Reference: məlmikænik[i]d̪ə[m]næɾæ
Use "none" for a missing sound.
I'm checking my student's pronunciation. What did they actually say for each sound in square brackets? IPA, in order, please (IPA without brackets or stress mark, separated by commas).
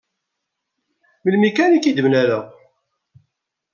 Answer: i, m